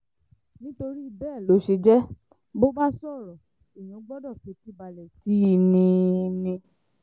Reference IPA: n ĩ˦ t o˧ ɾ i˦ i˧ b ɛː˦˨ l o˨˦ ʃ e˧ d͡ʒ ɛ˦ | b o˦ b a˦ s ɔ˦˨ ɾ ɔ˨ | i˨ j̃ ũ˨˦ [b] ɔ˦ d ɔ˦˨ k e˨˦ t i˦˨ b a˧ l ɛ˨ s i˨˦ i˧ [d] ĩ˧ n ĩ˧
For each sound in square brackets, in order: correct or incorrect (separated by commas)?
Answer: incorrect, incorrect